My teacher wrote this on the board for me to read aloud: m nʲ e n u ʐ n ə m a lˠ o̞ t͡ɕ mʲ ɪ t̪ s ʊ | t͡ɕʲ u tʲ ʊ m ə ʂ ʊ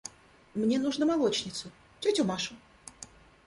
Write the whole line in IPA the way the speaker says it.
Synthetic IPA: m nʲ e n u ʐ n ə m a lˠ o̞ t͡ɕ nʲ ɪ t̪ s ʊ | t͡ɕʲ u tʲ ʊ m a ʂ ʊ